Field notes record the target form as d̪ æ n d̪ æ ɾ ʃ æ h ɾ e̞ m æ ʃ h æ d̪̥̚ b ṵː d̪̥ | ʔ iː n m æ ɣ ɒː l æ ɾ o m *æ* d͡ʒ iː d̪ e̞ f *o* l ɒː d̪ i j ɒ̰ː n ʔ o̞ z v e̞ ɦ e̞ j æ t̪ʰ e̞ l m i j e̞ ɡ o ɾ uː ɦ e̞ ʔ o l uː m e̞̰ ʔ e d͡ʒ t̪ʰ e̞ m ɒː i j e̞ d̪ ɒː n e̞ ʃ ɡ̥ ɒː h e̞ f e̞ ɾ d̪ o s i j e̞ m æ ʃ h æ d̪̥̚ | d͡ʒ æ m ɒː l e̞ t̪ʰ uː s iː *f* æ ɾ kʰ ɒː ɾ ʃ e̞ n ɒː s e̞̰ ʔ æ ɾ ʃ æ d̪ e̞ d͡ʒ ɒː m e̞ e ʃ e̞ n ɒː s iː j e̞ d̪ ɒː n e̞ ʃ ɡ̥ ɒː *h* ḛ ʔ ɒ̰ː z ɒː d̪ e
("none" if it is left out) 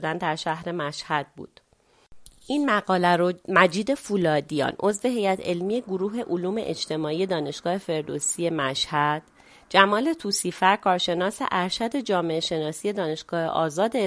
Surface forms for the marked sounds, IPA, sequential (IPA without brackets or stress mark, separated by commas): æ, u, f, h